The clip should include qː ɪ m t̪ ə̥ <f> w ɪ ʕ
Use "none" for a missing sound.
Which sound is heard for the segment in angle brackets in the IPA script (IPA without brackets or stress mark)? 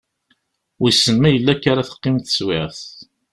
s